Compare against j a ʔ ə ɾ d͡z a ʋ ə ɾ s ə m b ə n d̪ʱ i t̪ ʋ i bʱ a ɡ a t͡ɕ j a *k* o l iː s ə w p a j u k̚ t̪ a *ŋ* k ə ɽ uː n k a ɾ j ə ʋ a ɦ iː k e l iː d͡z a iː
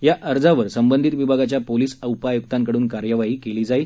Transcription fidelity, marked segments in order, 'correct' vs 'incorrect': incorrect: p, correct

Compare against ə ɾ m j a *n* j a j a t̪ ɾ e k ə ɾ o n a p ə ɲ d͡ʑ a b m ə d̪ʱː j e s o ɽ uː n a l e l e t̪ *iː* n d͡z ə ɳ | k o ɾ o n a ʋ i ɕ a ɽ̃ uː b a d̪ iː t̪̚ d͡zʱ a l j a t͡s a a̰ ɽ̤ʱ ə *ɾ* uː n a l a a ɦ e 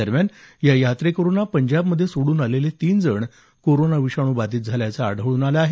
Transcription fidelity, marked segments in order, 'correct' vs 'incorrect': correct, correct, incorrect: ɭ

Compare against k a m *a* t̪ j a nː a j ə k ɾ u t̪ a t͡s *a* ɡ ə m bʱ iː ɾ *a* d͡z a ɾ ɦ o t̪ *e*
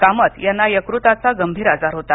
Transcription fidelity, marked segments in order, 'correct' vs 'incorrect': incorrect: ə, correct, correct, incorrect: a

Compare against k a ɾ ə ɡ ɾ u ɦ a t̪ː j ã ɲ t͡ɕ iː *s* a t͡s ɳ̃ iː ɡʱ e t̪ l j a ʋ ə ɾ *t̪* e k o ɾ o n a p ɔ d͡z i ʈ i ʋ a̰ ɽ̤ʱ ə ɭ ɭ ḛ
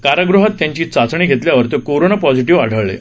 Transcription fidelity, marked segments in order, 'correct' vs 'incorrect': incorrect: t͡s, correct

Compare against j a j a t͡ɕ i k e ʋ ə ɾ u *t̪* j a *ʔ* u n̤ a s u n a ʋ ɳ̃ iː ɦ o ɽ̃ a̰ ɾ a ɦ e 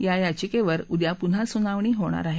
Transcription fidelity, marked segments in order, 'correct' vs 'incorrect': incorrect: d̪, incorrect: p

